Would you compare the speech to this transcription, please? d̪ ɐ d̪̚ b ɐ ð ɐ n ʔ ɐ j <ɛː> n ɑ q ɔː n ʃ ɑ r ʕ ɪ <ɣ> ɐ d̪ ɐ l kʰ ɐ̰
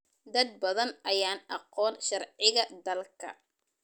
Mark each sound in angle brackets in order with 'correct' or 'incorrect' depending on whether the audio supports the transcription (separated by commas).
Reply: incorrect, correct